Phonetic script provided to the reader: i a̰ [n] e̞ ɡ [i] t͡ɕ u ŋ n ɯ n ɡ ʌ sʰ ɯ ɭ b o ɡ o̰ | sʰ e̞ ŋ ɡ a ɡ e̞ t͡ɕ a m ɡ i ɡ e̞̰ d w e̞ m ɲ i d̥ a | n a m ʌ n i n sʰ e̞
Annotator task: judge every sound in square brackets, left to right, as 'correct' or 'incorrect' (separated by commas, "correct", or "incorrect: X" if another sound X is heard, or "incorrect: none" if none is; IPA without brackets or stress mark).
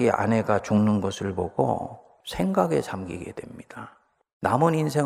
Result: correct, incorrect: a